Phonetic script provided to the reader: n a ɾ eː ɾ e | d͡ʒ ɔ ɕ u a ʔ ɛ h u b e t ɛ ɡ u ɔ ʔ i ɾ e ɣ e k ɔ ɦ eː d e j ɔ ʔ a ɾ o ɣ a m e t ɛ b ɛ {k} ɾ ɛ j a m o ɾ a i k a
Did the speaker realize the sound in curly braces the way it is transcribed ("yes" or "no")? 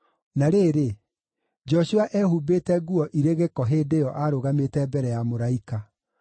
no